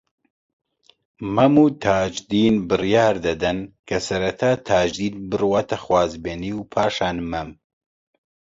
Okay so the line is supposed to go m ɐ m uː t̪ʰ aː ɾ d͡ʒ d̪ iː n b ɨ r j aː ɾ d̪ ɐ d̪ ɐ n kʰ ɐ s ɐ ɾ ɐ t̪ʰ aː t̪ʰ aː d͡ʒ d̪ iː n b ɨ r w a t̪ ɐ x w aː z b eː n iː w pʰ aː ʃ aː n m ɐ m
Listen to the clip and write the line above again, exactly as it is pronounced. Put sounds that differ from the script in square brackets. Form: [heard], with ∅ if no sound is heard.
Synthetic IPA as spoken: m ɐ m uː t̪ʰ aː [∅] d͡ʒ d̪ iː n b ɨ r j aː ɾ d̪ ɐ d̪ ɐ n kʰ ɐ s ɐ ɾ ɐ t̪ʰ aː t̪ʰ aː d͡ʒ d̪ iː n b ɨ r w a t̪ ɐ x w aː z b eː n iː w pʰ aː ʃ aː n m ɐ m